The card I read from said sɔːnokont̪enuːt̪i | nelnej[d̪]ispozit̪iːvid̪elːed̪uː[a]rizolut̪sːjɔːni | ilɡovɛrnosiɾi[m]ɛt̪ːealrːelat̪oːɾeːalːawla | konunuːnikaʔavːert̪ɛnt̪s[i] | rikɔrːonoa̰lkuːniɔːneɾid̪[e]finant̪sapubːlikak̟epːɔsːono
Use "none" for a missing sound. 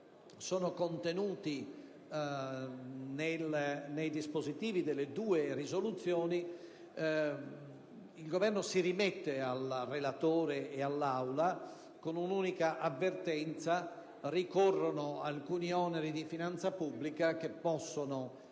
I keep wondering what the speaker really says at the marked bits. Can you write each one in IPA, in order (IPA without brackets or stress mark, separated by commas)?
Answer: d̪, e, m, a, i